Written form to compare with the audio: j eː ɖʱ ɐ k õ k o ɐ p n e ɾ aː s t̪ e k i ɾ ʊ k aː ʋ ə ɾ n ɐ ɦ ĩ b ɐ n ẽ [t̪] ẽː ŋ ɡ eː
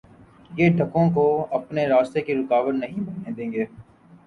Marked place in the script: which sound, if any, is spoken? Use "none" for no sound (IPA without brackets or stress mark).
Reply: d̪